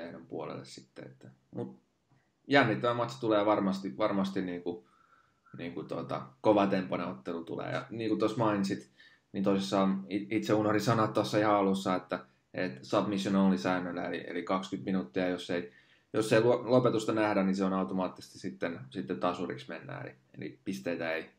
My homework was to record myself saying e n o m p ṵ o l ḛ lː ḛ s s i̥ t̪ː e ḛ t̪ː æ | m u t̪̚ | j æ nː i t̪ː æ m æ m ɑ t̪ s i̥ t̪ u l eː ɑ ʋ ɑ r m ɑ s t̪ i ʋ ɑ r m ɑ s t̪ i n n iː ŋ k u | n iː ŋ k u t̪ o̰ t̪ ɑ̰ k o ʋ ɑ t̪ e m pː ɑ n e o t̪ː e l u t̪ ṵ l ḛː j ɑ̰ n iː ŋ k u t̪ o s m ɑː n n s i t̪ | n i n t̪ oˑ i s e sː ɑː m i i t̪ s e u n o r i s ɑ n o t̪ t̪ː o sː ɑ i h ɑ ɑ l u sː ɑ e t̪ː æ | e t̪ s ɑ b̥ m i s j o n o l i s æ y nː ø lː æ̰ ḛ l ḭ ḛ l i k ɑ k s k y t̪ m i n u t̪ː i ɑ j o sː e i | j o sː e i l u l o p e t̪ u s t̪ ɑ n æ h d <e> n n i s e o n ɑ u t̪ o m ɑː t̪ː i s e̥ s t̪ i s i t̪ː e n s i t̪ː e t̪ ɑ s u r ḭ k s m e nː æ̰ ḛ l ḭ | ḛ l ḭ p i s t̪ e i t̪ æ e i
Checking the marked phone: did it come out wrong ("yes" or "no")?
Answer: yes